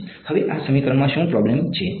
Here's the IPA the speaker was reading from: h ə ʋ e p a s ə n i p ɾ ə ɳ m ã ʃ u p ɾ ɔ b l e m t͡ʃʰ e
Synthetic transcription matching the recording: h ə ʋ e ʔ a s ə m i k ɾ ə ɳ m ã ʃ ũ p ɾ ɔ b l e m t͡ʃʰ e